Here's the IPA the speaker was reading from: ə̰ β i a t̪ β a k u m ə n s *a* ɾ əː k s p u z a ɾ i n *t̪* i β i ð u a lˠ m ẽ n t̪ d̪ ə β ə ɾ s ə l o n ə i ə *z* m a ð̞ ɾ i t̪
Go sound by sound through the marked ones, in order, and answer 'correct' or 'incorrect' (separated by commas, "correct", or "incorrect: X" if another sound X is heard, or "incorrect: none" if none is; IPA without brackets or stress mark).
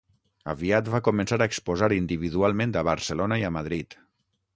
correct, incorrect: d̪, incorrect: none